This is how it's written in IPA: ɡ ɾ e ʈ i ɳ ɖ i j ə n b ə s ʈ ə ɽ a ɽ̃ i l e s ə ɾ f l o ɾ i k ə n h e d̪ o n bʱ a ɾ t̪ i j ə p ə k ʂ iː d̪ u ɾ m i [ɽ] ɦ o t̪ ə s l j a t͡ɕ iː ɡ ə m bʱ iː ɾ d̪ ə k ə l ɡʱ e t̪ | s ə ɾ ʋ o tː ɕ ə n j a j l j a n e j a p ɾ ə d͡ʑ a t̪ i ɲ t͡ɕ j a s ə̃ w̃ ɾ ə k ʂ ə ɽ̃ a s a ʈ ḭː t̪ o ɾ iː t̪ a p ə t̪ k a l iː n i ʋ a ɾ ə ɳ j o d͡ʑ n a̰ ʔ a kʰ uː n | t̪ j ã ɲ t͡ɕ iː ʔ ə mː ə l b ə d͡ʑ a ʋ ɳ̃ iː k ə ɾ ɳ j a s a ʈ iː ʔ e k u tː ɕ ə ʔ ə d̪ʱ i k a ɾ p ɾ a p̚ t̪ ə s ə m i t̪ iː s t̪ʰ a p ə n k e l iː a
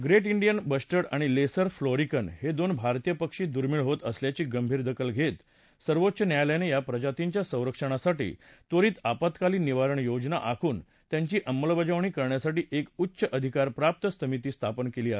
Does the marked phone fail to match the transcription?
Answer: yes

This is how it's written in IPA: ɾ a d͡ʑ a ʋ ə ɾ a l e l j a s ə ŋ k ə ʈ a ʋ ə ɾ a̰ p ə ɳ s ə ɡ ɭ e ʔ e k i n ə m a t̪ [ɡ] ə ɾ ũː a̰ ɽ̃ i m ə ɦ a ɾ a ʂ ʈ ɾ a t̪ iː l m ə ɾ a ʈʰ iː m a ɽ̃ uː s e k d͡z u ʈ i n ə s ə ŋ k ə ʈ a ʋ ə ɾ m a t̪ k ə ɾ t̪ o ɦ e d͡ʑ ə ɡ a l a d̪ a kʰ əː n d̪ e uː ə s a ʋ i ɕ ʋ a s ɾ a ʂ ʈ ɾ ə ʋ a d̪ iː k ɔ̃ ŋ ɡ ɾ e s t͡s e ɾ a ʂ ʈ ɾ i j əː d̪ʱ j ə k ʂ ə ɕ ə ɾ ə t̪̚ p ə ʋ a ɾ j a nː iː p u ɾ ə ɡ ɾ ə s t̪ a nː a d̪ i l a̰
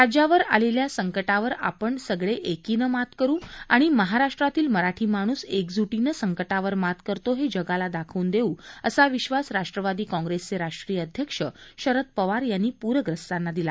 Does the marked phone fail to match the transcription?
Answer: yes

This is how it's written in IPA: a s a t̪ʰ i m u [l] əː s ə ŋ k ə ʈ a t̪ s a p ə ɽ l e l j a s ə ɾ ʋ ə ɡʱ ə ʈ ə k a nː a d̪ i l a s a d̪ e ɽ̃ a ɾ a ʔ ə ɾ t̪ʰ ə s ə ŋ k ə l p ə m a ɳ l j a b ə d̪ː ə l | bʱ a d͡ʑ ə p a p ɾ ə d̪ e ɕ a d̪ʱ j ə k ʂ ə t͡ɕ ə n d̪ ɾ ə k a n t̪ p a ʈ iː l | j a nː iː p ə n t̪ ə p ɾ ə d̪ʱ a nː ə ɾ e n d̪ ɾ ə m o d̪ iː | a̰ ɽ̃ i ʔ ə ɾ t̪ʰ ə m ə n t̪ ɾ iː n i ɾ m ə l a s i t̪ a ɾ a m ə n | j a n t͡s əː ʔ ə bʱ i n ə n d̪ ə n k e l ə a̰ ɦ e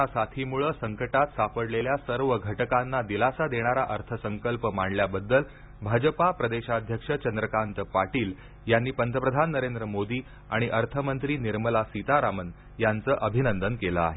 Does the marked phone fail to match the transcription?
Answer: yes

